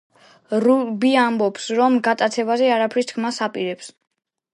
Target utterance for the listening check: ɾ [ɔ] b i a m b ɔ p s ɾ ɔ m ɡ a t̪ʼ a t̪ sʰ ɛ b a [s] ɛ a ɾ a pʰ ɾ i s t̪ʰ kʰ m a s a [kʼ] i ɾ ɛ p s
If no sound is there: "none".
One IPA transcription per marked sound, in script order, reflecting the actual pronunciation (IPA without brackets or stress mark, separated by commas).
u, z, pʼ